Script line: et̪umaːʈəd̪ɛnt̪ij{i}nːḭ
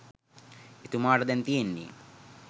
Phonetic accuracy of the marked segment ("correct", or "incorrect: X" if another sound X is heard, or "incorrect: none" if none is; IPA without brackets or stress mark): incorrect: e